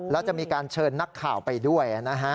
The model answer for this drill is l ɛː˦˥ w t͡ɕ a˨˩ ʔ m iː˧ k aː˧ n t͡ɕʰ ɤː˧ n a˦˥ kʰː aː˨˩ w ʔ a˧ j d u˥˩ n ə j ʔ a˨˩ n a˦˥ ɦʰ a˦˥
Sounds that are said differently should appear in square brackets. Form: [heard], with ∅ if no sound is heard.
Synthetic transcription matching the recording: l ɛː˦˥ w t͡ɕ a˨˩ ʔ m iː˧ k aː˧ n t͡ɕʰ ɤː˧ [nː] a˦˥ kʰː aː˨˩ w [p] a˧ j d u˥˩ [∅] ə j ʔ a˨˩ n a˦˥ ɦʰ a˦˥